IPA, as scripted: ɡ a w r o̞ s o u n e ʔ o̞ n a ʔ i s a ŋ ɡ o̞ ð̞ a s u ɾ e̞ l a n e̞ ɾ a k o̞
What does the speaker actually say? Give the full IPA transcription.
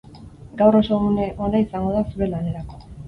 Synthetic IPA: ɡ a w r o̞ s o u n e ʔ o̞ n a i s a ŋ ɡ o̞ ð̞ a s u ɾ e̞ l a n e̞ ɾ a k o̞